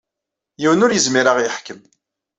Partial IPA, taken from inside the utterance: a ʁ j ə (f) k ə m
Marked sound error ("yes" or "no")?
yes